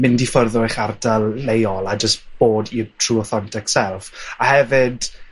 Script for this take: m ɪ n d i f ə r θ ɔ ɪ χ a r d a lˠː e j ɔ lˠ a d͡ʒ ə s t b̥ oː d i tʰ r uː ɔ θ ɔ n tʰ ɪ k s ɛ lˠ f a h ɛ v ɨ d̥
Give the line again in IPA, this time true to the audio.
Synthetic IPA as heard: m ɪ n d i f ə r ð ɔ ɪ χ a r d a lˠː e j ɔ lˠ a d͡ʒ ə s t b̥ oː d i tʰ r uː ɔ θ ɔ n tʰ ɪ k s ɛ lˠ f a h ɛ v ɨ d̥